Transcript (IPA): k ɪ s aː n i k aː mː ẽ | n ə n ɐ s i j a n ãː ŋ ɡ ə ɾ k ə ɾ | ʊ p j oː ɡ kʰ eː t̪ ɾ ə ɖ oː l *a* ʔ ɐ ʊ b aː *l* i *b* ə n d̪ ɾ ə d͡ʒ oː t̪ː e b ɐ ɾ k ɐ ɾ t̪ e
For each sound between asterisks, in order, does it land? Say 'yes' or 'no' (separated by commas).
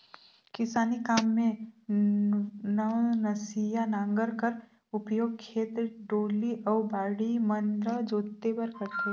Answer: no, no, no